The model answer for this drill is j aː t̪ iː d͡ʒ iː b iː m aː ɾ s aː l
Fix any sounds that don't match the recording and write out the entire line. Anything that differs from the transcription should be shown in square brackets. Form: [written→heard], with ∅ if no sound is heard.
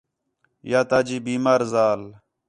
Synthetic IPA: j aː t̪ [iː→aː] d͡ʒ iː b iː m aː ɾ [s→z] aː l